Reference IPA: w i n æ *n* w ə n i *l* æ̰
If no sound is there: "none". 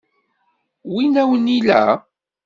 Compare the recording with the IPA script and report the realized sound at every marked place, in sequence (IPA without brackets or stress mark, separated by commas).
none, l